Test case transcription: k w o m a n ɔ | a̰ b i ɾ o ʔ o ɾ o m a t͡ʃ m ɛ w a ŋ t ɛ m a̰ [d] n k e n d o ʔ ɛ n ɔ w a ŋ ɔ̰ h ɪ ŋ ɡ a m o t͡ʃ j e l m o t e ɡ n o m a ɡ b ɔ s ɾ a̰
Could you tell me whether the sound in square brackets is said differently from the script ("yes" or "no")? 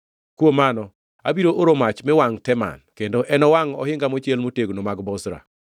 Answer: yes